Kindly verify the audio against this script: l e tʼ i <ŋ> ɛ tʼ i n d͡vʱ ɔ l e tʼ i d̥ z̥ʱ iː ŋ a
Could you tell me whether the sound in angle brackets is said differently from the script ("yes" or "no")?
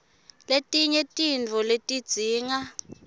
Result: yes